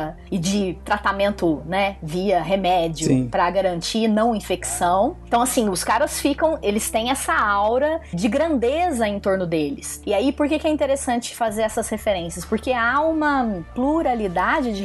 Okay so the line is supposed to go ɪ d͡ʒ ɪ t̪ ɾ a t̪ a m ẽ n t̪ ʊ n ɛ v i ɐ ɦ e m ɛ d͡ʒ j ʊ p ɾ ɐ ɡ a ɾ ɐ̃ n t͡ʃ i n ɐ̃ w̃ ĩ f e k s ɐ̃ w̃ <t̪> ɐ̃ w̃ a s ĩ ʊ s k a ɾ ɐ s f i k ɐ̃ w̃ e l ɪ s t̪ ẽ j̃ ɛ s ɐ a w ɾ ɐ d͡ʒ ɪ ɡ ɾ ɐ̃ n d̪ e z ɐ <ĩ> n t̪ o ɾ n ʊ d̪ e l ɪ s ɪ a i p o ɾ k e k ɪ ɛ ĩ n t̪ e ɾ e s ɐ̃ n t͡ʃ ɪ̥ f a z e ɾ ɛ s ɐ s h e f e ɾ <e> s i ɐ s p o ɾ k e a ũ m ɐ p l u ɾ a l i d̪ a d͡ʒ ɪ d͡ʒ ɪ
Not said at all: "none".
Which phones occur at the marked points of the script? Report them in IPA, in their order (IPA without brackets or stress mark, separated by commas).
t̪, ẽ, ẽ